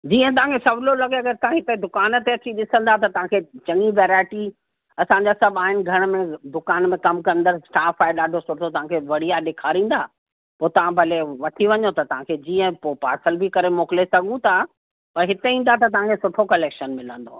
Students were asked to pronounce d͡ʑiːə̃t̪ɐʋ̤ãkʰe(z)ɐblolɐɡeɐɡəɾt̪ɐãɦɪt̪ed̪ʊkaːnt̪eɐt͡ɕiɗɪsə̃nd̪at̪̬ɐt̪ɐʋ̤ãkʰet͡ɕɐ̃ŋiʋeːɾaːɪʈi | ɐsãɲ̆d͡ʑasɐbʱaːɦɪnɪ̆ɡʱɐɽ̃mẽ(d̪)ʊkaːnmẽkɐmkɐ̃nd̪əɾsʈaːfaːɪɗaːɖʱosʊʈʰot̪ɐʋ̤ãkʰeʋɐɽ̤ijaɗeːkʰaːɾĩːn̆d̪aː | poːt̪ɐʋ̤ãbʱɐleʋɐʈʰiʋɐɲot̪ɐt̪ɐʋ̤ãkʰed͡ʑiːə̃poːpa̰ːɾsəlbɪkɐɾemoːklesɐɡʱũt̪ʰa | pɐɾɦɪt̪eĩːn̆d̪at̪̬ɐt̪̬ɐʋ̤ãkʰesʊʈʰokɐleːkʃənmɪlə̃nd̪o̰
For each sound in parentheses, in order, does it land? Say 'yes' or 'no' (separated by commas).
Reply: no, yes